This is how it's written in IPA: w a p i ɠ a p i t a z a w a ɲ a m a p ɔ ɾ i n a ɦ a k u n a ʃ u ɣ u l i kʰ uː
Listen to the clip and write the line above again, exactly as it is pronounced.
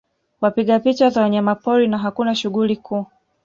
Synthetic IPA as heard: w a p i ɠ a p i t͡ʃ a z a w a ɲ a m a p ɔ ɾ i n a ɦ a k u n a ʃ u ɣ u l i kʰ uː